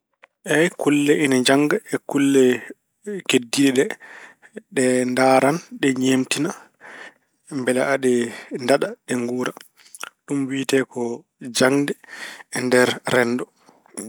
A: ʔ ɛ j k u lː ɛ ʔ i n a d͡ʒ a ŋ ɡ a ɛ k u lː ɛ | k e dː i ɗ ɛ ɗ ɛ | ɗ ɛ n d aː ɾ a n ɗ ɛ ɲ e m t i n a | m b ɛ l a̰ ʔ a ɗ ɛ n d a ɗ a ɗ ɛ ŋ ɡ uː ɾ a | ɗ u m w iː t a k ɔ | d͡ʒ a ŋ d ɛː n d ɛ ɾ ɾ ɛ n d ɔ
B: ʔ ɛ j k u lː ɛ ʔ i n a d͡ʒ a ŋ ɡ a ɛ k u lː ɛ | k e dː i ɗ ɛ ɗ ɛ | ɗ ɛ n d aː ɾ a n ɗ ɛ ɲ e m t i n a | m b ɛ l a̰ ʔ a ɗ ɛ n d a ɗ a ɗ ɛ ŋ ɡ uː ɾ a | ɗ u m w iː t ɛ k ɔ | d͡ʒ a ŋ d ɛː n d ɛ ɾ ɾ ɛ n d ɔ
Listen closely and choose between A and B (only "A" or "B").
B